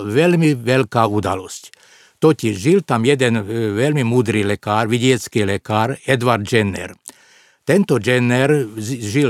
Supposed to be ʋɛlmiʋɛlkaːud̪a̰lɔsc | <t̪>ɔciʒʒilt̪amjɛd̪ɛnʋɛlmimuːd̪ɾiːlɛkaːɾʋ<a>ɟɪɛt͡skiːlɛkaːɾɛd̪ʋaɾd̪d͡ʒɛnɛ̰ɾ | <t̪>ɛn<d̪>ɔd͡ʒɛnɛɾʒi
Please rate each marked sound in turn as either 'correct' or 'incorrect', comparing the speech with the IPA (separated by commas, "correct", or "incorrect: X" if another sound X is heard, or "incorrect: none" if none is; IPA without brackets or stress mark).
correct, incorrect: i, correct, incorrect: t̪